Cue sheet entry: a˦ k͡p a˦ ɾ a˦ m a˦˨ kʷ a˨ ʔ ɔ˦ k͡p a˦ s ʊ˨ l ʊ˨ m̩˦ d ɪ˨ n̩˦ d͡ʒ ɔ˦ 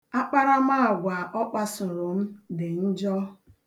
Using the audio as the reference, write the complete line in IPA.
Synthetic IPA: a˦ k͡p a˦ ɾ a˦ m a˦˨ ɡʷ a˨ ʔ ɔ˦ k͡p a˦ s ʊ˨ ɾ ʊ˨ m̩˦ d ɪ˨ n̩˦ d͡ʒ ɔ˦